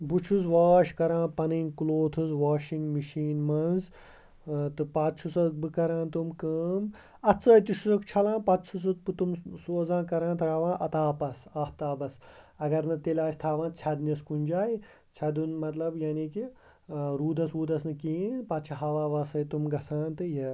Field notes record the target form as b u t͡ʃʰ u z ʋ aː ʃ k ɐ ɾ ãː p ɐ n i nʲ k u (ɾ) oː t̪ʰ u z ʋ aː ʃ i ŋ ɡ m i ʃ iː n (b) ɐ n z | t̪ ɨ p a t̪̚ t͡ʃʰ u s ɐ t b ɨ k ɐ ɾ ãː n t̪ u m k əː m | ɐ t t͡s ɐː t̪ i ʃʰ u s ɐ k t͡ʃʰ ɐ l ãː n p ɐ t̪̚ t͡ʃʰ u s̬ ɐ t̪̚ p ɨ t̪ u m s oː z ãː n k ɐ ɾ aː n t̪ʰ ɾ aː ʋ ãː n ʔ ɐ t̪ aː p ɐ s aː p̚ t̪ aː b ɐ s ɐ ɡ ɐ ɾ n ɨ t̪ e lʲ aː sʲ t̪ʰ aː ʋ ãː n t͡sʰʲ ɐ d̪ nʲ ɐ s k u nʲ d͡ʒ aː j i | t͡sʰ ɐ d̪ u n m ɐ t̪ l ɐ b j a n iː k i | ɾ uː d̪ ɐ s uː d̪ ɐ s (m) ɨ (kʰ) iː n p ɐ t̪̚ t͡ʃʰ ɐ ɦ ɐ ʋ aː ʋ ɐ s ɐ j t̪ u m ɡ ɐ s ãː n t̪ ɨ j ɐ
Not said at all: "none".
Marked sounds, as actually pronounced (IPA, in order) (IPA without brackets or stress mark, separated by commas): l, m, n, k